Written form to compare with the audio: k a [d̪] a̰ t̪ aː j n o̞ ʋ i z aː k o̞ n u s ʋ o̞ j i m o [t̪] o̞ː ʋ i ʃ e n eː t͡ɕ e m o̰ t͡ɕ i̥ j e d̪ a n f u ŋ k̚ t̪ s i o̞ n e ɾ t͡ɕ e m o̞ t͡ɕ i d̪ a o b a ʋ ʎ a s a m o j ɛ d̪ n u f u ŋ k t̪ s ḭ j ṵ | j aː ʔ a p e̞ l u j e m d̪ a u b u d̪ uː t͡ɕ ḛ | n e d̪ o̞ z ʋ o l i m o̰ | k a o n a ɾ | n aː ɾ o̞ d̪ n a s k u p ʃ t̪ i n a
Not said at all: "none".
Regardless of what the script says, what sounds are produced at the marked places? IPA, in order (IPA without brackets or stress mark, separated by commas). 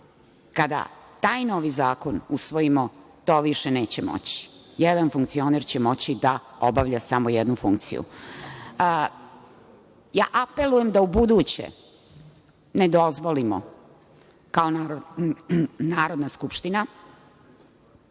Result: d̪, t̪